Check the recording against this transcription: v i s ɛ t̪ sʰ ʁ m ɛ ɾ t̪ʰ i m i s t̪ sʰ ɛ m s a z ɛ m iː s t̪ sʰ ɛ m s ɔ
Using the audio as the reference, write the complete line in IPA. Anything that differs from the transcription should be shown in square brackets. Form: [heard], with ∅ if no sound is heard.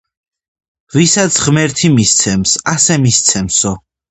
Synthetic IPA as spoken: v i s [a] t̪ sʰ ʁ m ɛ ɾ t̪ʰ i m i s t̪ sʰ ɛ m s a [s] ɛ m [i] s t̪ sʰ ɛ m s ɔ